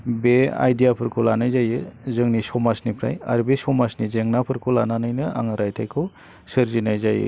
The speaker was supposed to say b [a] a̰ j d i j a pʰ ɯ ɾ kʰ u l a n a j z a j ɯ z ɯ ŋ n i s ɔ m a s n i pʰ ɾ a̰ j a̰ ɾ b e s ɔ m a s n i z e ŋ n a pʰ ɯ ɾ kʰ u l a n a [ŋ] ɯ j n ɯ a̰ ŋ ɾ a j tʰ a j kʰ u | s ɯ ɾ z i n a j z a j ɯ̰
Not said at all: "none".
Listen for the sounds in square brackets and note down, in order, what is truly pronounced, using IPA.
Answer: e, n

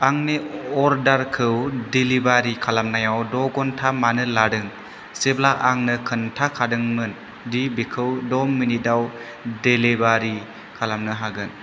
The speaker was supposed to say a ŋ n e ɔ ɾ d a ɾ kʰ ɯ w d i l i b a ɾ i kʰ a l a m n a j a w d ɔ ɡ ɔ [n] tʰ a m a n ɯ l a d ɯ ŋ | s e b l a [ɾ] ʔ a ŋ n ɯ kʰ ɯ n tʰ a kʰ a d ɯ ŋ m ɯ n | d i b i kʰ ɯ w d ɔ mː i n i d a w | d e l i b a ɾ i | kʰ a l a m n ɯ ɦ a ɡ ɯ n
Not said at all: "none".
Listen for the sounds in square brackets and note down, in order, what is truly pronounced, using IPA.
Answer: n, none

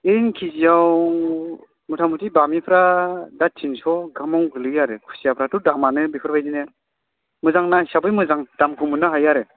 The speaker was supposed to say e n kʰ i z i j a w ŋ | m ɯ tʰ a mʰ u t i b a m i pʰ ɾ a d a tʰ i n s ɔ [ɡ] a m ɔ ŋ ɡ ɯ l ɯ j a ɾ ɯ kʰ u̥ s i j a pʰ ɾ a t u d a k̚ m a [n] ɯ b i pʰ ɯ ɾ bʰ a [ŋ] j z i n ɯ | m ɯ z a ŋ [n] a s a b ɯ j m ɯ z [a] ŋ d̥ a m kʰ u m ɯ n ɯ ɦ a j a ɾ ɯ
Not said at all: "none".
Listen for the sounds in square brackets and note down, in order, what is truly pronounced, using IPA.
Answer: ɡ, n, none, n, a

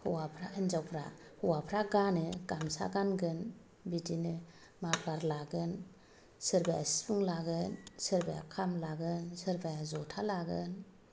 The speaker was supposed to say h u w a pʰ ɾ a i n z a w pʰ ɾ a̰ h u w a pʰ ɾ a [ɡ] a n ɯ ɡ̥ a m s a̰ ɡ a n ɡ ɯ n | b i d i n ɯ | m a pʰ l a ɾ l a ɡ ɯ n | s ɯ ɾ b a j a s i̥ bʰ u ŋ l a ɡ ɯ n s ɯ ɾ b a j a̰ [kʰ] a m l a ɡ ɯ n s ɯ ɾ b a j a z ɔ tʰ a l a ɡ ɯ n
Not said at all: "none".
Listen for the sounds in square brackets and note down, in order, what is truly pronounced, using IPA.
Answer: ɡ, kʰ

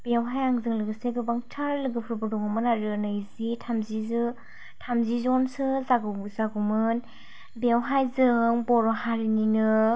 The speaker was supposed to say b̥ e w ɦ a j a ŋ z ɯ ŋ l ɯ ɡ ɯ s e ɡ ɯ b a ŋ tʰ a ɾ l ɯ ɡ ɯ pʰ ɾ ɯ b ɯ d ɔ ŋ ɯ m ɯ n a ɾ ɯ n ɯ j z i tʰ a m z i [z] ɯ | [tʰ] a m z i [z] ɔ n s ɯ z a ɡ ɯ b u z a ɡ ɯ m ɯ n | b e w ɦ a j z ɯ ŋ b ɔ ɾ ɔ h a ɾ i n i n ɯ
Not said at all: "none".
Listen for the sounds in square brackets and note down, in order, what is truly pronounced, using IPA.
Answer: z, tʰ, z

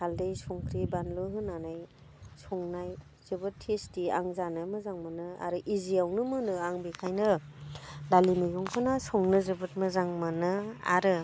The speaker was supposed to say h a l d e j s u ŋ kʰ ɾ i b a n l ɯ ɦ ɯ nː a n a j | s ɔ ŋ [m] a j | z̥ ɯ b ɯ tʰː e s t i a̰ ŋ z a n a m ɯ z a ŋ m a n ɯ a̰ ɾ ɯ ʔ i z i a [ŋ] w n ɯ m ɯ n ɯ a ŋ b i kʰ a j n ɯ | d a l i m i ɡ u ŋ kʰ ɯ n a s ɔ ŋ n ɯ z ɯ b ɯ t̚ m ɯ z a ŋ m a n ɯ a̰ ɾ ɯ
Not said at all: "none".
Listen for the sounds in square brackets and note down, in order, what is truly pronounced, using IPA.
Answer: n, none

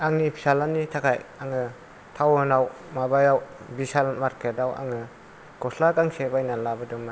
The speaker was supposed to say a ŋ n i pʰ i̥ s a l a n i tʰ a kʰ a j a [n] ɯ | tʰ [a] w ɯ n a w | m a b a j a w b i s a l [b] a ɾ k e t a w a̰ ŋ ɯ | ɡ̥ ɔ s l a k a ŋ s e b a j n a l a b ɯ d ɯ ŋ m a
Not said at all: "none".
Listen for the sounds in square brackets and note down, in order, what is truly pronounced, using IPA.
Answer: ŋ, a, m

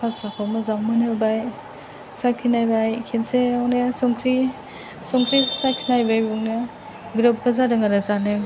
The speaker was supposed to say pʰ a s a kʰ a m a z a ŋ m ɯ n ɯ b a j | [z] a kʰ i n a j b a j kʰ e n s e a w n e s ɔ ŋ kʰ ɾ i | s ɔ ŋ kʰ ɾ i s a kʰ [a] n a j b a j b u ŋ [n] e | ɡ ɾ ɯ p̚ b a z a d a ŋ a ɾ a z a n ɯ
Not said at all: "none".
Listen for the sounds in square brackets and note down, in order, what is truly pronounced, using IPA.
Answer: s, i, n

